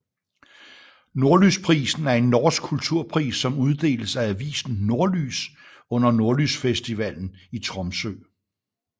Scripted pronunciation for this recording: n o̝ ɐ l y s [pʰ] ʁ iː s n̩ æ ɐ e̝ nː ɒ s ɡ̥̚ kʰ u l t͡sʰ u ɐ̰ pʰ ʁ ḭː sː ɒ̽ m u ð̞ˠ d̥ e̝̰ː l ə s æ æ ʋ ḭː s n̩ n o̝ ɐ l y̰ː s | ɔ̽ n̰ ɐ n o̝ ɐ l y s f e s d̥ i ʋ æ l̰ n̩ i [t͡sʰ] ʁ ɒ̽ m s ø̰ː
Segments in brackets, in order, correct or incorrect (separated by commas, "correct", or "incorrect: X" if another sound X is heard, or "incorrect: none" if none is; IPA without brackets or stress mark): correct, correct